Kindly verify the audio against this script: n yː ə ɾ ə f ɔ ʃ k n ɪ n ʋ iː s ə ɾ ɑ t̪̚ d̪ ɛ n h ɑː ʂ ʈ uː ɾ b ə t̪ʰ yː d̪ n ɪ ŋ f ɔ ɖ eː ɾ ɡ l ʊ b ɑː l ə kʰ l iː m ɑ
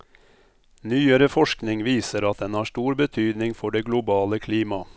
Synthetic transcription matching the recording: n yː ə ɾ ə f ɔ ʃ k n ɪ ŋ ʋ iː s ə ɾ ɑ t̪̚ d̪ ɛ n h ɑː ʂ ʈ uː ɾ b ə t̪ʰ yː d̪ n ɪ ŋ f ɔ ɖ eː ɡ l ʊ b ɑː l ə kʰ l iː m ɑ